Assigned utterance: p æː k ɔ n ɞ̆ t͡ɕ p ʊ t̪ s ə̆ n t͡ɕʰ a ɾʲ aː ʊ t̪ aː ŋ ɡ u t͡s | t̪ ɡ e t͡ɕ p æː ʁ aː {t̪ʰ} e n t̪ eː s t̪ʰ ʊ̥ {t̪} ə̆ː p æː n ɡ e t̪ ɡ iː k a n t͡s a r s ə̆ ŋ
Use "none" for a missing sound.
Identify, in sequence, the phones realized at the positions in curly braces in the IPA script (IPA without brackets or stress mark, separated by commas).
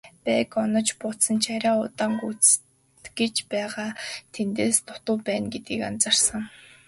t̪ʰ, t̪